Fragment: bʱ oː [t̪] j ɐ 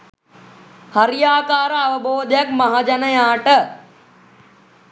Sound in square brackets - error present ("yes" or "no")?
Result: yes